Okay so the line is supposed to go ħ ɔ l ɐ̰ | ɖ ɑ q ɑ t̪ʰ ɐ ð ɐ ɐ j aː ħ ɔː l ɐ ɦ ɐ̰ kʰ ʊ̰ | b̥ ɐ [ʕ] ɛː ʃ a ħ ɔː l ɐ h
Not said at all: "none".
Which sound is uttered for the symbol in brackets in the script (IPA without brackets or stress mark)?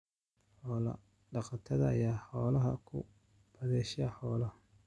ð